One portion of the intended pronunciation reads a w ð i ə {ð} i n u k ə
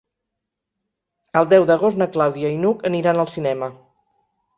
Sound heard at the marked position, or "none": none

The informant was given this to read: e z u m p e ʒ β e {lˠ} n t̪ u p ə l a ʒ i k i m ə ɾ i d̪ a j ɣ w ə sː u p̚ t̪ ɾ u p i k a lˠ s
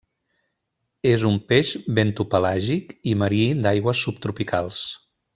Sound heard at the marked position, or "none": none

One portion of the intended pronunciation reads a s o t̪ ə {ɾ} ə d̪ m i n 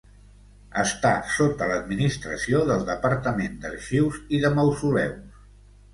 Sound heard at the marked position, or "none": l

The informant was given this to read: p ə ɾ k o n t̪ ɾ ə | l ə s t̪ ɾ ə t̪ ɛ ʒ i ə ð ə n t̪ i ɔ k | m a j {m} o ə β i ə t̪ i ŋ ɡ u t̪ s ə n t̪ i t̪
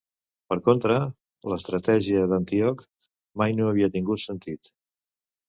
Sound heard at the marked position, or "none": n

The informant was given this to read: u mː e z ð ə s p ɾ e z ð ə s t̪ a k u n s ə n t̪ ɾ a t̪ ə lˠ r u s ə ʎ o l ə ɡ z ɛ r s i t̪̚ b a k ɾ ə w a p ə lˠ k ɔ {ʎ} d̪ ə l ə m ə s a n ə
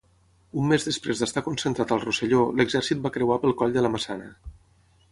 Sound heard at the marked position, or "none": ʎ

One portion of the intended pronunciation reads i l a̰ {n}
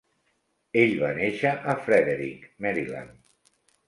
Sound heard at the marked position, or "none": n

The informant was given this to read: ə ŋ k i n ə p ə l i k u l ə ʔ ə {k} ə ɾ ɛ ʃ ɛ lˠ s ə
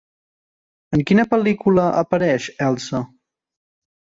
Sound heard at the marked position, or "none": p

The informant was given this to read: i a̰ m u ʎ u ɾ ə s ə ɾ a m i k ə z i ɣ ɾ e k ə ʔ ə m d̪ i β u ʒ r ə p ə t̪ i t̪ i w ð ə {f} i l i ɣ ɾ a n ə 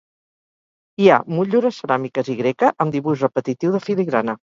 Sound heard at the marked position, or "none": f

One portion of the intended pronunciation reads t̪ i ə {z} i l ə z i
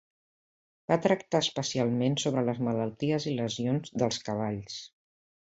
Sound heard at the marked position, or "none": z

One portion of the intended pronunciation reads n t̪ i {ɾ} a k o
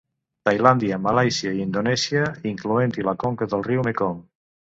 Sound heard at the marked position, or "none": l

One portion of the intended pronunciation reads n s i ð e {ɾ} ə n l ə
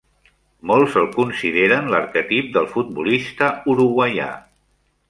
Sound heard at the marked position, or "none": ɾ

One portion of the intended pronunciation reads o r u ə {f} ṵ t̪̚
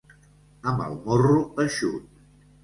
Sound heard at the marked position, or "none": ʃ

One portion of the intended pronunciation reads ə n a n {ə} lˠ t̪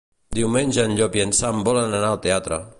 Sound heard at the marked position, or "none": a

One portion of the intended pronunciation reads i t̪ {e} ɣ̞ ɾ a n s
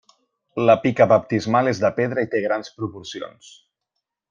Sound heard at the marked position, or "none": e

